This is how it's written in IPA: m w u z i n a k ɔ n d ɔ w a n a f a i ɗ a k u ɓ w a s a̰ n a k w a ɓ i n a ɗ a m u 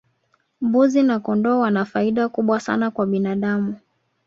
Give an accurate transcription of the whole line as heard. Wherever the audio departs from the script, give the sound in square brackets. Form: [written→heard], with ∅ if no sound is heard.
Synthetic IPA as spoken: m [w→b] u z i n a k ɔ n d ɔ w a n a f a i ɗ a k u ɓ w a s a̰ n a k w a ɓ i n a ɗ a m u